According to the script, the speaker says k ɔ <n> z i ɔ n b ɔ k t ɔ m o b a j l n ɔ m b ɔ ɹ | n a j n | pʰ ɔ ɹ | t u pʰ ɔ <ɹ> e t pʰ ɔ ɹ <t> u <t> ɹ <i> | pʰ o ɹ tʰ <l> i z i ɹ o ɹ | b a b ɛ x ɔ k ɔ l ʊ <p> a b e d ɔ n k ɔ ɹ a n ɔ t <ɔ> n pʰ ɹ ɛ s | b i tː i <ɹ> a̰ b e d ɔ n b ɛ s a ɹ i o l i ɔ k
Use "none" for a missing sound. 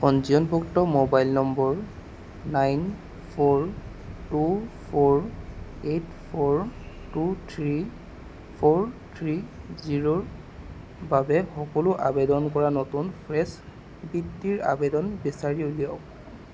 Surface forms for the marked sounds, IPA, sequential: n, ɹ, t, tʰ, i, ɹ, ʔ, u, ɹ

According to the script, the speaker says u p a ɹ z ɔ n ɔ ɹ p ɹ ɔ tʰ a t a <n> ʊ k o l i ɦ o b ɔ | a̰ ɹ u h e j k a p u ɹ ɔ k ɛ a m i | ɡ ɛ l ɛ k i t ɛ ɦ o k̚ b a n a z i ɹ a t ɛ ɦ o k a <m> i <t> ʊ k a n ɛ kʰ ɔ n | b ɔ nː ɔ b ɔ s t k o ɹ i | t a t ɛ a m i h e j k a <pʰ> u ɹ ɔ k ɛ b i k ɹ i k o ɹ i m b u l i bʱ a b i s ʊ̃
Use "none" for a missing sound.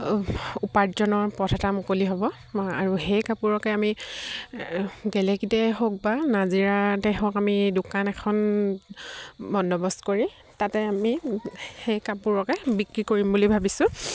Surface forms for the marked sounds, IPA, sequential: m, m, d, p

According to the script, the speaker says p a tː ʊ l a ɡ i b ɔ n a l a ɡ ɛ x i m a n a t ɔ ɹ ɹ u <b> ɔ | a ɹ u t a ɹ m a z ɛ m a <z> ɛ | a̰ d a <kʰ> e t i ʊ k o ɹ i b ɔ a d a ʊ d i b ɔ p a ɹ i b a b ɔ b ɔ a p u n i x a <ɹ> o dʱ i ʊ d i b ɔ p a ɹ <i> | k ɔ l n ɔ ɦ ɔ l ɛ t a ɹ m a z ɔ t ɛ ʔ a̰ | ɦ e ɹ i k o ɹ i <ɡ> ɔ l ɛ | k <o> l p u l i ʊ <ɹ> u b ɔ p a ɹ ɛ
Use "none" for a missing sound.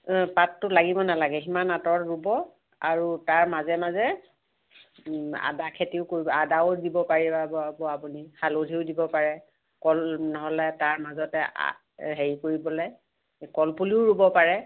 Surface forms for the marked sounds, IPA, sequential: b, z, kʰ, l, ɛ, b, ɔ, ɹ

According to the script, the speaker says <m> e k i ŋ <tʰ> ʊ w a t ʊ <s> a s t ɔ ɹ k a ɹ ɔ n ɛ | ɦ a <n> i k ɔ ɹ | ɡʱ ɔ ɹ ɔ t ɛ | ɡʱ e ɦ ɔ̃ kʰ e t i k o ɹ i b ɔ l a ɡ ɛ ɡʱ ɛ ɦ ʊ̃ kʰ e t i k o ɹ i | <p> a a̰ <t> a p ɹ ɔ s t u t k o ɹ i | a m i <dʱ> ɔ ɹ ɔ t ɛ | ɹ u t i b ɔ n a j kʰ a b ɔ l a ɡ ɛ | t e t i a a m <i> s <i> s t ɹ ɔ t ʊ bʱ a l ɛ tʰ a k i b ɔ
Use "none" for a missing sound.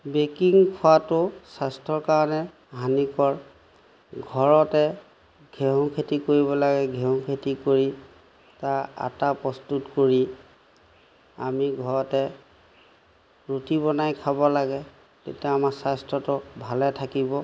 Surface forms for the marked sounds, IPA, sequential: b, kʰ, s, n, t, t, ɡʱ, a, a

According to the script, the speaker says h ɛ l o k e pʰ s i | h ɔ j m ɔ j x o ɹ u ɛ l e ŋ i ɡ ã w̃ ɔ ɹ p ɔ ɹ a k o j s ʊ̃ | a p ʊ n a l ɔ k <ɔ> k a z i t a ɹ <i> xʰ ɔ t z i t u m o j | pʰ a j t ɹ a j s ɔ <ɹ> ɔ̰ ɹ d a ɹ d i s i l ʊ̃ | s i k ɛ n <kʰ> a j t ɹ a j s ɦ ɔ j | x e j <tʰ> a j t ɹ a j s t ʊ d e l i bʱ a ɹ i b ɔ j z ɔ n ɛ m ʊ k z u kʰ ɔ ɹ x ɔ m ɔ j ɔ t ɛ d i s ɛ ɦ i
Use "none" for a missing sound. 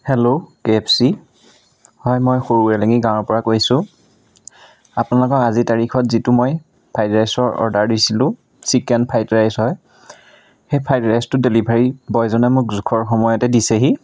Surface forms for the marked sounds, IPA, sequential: ɔ, i, ɹ, pʰ, pʰ

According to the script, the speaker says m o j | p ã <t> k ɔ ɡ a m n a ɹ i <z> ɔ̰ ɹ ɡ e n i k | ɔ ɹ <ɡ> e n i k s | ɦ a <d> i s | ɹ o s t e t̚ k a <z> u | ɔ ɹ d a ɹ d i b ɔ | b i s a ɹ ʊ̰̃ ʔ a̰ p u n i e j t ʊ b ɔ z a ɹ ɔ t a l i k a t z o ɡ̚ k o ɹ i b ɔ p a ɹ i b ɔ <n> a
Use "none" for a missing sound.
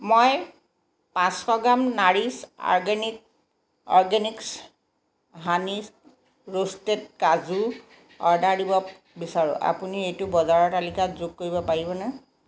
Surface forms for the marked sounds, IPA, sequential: s, s, ɡ, n, z, n

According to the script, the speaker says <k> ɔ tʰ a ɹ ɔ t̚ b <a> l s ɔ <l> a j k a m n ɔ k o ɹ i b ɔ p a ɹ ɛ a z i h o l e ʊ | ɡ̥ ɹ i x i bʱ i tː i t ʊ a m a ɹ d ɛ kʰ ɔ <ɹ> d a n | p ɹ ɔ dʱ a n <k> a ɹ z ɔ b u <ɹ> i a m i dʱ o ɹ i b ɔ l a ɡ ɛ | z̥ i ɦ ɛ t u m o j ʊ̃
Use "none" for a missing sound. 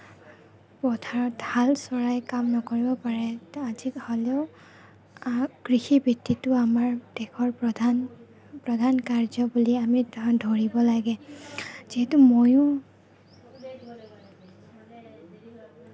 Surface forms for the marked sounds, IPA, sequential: p, a, ɹ, ɹ, k, l

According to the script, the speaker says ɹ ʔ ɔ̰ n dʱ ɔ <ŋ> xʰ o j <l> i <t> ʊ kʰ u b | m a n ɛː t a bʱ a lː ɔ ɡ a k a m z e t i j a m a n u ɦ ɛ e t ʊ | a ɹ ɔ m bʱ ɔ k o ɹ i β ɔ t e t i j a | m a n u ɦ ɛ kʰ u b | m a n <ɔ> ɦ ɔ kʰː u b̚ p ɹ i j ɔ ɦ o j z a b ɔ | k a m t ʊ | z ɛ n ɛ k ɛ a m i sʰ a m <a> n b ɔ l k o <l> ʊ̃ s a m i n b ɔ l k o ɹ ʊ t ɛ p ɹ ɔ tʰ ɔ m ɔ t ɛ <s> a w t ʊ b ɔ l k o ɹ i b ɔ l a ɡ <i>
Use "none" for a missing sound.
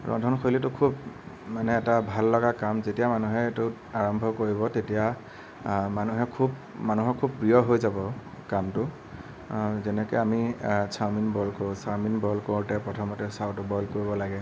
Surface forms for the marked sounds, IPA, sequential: n, l, t, u, i, ɹ, s, ɛ

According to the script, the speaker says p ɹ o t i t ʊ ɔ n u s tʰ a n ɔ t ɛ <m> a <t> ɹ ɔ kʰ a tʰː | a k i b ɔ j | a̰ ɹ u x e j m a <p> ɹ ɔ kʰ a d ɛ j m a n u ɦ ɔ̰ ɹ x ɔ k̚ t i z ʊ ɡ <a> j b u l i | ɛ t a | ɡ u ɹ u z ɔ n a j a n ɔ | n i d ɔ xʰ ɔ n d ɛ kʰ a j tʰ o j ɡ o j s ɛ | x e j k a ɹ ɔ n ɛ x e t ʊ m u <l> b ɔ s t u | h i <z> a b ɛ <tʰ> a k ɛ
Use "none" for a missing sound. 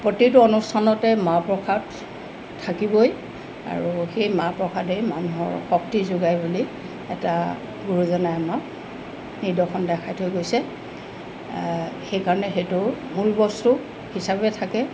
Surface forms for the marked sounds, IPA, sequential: m, p, p, a, l, s, tʰ

